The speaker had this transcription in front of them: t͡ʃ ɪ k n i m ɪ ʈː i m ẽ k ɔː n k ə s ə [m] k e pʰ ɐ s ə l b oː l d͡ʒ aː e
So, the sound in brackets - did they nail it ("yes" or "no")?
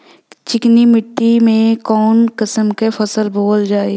yes